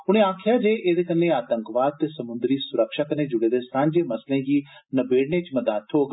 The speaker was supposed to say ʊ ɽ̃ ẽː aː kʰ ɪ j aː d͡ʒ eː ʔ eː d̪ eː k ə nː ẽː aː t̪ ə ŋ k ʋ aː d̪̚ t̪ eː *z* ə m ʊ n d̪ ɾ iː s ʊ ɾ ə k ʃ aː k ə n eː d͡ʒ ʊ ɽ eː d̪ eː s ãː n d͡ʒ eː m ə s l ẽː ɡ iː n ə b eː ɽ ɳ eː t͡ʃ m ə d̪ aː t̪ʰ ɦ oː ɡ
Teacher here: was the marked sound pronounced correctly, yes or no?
no